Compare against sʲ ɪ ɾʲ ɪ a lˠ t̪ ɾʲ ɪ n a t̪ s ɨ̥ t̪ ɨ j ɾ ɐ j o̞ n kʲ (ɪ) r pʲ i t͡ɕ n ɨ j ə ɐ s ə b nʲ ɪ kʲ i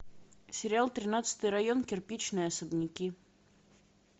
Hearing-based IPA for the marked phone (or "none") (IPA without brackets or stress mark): ɪ